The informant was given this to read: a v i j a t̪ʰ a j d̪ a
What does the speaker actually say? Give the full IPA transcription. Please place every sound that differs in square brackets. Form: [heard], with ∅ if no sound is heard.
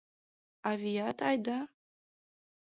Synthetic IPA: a v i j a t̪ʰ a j d̪ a